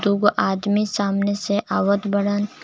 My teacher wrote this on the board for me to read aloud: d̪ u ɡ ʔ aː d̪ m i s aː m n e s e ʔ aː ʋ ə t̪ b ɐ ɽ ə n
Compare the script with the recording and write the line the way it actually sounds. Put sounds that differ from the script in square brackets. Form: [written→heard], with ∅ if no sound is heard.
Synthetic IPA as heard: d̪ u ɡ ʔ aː d̪ m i s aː m n e s e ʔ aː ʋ ə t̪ b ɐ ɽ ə n